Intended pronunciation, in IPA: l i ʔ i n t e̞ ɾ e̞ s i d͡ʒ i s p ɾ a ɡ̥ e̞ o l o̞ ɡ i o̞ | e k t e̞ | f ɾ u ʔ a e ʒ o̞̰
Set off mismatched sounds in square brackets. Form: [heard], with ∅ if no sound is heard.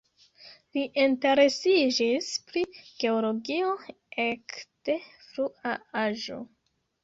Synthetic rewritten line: l i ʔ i n t e̞ ɾ e̞ s i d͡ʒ i s p ɾ [i] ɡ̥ e̞ o l o̞ ɡ i o̞ | e k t e̞ | f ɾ u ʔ a [a] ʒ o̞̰